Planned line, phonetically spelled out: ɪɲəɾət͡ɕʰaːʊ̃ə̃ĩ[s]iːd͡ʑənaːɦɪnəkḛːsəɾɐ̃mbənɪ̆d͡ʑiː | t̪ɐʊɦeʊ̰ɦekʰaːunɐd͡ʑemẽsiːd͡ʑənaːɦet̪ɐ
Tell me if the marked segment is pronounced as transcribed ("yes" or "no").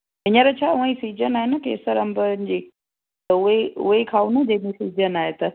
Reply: yes